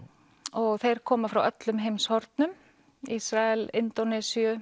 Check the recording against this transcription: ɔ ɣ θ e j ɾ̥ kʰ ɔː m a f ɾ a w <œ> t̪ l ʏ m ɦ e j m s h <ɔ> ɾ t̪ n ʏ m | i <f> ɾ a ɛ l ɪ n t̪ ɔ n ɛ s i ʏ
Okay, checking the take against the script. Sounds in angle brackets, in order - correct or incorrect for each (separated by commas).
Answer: correct, correct, incorrect